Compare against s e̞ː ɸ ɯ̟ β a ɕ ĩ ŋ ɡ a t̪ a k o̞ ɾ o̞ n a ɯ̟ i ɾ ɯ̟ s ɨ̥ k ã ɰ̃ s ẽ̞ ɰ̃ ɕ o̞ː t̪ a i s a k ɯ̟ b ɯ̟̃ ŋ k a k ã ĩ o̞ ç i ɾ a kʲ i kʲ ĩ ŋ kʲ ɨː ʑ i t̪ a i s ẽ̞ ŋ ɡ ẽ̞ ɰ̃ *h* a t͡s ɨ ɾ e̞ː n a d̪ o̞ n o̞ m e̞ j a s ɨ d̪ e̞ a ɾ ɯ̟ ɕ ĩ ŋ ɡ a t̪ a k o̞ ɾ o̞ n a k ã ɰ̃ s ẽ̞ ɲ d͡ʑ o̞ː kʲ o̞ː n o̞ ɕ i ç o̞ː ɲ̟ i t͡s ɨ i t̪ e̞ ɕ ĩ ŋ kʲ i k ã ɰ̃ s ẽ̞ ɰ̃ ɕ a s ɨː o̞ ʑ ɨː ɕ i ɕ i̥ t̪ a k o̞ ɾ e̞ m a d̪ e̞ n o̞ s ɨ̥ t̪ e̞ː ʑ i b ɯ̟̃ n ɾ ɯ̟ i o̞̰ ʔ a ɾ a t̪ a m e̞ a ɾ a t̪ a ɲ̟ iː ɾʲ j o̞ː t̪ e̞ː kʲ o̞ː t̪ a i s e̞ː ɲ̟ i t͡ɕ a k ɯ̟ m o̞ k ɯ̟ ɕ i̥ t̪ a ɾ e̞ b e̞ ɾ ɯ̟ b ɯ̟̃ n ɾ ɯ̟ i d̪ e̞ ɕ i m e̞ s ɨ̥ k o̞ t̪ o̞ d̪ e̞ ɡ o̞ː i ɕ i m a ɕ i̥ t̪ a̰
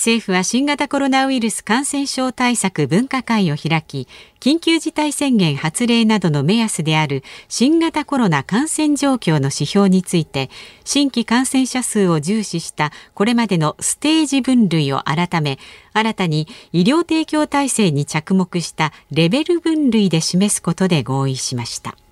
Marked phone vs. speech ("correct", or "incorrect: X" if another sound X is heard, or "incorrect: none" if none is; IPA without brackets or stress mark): correct